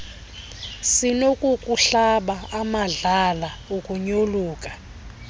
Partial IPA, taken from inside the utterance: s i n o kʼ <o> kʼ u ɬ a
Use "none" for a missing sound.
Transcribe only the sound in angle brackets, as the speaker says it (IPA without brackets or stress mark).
u